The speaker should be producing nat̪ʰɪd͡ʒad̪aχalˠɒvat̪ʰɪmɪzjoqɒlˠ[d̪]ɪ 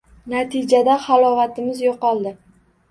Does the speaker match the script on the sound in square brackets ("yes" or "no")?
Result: yes